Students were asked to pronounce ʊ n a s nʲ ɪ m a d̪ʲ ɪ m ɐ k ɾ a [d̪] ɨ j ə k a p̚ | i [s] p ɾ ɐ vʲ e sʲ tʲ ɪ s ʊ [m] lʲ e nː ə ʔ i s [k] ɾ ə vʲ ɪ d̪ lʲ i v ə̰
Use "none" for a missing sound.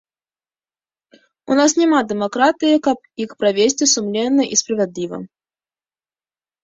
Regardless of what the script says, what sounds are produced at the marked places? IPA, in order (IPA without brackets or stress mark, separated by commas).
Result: t̪, x, m, p